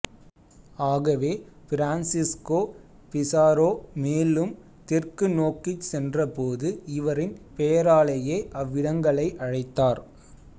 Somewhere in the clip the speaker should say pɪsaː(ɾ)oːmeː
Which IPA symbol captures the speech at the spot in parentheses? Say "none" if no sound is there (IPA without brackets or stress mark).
ɾ